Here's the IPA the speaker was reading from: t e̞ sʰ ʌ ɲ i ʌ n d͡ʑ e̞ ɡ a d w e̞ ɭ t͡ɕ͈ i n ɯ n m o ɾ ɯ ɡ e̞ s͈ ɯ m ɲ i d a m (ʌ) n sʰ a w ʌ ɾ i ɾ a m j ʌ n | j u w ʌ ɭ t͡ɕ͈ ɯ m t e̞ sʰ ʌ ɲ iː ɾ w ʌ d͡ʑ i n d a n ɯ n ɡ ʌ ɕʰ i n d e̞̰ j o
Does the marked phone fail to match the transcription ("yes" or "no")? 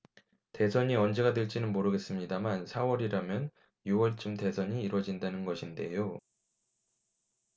yes